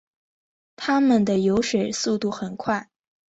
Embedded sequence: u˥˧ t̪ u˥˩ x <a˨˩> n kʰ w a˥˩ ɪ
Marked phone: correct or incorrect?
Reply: incorrect